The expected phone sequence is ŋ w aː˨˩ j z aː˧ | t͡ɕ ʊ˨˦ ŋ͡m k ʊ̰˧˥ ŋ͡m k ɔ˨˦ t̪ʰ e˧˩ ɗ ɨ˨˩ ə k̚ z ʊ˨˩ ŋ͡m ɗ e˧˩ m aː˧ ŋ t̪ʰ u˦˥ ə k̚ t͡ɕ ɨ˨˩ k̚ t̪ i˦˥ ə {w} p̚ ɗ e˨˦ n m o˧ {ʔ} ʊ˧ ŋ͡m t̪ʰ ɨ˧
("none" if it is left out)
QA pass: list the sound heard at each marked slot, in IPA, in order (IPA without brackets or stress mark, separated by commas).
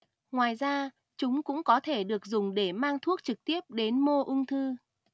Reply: none, ʔ